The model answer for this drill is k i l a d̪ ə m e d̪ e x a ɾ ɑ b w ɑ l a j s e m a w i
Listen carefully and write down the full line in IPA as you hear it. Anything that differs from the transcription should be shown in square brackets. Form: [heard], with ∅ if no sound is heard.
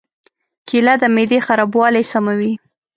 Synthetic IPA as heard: k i l a d̪ ə m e d̪ e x a ɾ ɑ b w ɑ l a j s [a] m a w i